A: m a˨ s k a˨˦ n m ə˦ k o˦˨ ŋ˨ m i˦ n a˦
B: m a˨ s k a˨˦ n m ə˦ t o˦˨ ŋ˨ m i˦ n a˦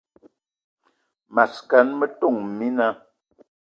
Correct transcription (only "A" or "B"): B